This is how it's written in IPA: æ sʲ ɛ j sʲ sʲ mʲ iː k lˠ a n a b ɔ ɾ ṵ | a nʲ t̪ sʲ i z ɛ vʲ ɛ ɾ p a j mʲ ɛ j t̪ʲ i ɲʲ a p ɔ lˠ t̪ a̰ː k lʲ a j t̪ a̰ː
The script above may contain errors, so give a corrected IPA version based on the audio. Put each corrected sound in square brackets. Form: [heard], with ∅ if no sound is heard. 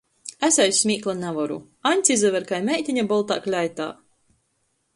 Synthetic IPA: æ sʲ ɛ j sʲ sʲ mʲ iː k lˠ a n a [v] ɔ ɾ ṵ | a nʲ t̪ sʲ i z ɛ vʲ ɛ ɾ [k] a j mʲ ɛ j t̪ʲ i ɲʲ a [b] ɔ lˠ t̪ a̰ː k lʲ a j t̪ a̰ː